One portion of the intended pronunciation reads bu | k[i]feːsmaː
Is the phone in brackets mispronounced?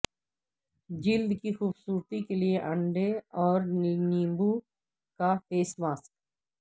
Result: yes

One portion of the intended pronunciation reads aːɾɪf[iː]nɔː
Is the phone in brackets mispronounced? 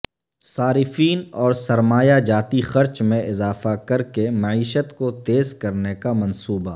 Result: no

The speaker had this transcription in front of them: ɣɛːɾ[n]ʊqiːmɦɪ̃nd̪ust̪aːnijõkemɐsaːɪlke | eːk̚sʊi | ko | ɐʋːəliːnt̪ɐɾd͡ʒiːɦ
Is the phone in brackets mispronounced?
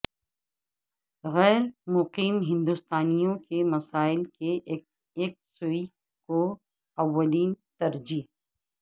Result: yes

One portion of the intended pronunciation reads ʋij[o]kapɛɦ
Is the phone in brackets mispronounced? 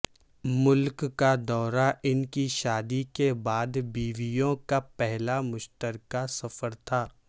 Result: yes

